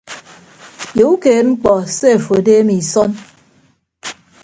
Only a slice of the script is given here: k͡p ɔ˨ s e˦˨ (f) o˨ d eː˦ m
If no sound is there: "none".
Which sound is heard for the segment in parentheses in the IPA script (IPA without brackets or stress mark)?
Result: f